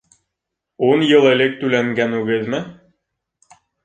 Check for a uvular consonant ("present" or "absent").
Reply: absent